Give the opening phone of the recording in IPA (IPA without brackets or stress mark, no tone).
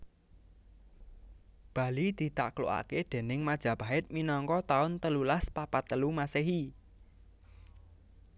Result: b̥